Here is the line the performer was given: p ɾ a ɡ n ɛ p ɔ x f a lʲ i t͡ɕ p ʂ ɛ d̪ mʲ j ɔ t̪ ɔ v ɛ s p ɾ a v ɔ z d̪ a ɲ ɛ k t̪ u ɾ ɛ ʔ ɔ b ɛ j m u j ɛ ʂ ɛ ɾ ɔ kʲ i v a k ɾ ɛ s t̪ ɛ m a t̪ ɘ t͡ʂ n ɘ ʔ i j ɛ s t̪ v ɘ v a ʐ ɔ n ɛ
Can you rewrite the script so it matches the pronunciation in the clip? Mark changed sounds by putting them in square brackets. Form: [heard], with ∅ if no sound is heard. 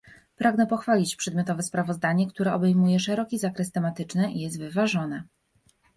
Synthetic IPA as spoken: p ɾ a ɡ n ɛ p ɔ x f a lʲ i t͡ɕ p ʂ ɛ d̪ mʲ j ɔ t̪ ɔ v ɛ s p ɾ a v ɔ z d̪ a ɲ ɛ k t̪ u ɾ ɛ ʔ ɔ b ɛ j m u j ɛ ʂ ɛ ɾ ɔ kʲ i [z] a k ɾ ɛ s t̪ ɛ m a t̪ ɘ t͡ʂ n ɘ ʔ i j ɛ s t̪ v ɘ v a ʐ ɔ n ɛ